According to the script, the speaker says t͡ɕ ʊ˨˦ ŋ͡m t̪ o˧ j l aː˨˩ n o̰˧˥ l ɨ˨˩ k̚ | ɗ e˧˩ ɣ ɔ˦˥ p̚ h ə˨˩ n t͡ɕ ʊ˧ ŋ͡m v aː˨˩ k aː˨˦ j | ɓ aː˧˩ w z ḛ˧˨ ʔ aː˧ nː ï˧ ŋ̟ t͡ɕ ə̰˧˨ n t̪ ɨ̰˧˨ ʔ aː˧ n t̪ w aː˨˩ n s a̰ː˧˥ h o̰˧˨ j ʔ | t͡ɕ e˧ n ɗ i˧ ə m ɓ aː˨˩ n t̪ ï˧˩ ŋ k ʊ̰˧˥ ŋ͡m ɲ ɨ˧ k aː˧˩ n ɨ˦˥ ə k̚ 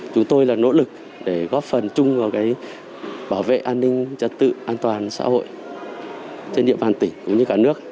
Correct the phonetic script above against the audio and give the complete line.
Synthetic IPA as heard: t͡ɕ ʊ˨˦ ŋ͡m t̪ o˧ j l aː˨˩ n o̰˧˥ l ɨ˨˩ k̚ | ɗ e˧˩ ɣ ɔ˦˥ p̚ f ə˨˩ n t͡ɕ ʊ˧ ŋ͡m v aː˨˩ k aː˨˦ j | ɓ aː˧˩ w v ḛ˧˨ ʔ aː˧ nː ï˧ ŋ̟ t͡ɕ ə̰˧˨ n t̪ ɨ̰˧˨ ʔ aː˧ n t̪ w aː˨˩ n s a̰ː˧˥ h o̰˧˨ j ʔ | t͡ɕ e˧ n ɗ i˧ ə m ɓ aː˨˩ n t̪ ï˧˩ ŋ k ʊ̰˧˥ ŋ͡m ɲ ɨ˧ k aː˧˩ n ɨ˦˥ ə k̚